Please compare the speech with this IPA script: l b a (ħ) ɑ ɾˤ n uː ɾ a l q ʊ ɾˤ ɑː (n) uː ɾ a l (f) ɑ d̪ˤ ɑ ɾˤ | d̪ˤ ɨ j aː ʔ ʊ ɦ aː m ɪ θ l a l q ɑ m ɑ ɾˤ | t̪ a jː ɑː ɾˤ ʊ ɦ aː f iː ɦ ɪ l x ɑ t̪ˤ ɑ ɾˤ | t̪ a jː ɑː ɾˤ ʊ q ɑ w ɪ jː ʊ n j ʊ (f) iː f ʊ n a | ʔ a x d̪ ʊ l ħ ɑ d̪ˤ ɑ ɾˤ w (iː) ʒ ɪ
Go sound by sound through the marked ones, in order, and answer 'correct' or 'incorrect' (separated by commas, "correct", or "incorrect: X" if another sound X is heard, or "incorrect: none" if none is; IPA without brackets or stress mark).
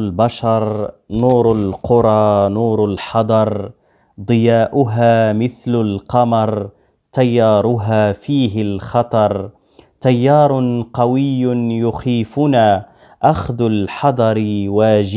incorrect: ʃ, correct, incorrect: ħ, incorrect: x, incorrect: aː